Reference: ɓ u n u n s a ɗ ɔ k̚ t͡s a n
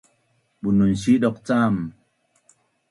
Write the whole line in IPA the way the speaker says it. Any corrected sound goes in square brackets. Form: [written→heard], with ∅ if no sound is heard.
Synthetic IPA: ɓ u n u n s [a→i] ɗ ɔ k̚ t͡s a [n→m]